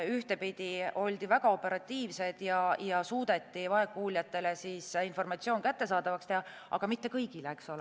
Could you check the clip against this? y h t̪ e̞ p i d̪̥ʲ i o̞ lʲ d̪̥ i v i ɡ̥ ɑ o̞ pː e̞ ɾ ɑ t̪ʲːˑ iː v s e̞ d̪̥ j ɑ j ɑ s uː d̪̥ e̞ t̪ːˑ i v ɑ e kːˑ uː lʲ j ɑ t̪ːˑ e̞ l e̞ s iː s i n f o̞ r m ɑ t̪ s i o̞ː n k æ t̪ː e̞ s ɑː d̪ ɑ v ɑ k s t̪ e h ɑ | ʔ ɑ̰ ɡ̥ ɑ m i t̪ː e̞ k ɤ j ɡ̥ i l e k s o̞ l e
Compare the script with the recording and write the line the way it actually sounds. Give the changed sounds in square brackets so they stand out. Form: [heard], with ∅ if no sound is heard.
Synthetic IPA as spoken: y h t̪ e̞ p i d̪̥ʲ i o̞ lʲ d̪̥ i v [æ] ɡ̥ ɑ o̞ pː e̞ ɾ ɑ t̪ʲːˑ iː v s e̞ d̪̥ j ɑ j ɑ s uː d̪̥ e̞ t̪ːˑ i v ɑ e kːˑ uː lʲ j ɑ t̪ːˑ e̞ l e̞ s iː s i n f o̞ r m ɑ t̪ s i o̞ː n k æ t̪ː e̞ s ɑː d̪ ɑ v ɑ k s t̪ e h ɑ | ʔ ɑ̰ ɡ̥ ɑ m i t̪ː e̞ k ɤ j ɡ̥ i l e k s o̞ l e